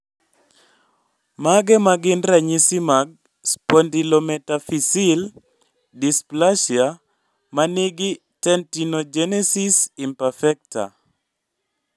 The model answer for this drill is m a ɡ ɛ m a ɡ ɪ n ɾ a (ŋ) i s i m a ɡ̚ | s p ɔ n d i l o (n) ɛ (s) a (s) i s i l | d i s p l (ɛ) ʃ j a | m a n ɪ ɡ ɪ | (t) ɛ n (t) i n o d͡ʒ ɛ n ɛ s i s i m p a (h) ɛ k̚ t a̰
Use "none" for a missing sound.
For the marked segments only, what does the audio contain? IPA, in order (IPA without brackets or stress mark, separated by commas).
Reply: ɲ, m, t, f, a, t, t, f